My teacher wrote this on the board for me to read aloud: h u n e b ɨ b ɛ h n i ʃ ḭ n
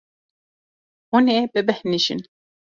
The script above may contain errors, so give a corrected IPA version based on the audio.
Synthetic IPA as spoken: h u n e b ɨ b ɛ h n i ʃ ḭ n